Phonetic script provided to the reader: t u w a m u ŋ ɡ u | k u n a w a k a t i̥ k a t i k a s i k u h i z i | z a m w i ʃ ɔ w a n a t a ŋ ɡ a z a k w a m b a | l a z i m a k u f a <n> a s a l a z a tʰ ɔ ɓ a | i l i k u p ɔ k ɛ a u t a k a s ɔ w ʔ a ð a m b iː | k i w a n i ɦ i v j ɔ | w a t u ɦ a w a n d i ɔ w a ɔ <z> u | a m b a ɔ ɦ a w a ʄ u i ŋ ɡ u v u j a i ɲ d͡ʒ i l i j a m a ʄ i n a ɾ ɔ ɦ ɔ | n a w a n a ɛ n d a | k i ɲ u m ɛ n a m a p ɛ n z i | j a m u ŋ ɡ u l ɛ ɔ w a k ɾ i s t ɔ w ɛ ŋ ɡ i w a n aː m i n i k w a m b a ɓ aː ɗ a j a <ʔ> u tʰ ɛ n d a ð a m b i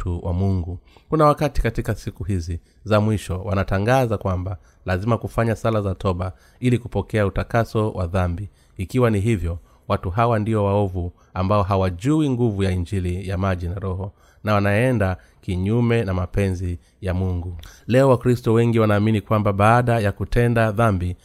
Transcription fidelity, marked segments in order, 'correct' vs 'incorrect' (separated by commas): incorrect, incorrect, incorrect